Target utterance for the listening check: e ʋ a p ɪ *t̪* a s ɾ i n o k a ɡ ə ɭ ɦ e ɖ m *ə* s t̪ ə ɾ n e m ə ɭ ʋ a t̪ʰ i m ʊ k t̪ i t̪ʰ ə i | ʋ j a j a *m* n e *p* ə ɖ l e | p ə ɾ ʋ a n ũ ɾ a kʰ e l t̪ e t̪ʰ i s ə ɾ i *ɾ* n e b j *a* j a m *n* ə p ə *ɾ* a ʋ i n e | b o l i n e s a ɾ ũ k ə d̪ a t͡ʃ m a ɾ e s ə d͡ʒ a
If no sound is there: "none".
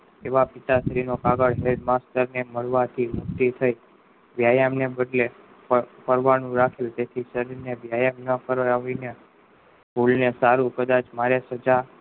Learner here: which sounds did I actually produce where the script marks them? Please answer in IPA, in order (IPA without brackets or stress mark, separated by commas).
t̪, a, m, b, ɾ, a, n, ɾ